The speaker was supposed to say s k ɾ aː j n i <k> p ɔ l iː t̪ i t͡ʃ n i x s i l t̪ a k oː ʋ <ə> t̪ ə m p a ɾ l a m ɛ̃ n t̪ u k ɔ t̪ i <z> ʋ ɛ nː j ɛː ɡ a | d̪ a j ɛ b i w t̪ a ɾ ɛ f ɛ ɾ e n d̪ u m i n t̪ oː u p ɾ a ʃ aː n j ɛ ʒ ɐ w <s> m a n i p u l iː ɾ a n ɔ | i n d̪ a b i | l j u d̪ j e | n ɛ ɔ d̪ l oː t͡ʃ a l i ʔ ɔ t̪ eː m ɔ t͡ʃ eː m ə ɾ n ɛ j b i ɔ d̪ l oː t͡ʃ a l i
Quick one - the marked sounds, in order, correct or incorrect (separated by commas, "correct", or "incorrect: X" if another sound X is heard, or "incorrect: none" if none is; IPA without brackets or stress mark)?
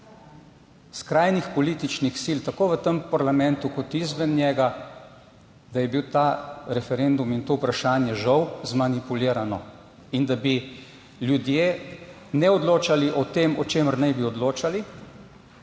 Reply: incorrect: x, correct, correct, incorrect: z